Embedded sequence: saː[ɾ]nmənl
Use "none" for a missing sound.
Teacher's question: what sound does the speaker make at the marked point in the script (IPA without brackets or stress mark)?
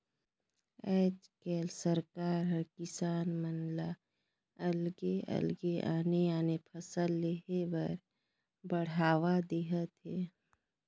none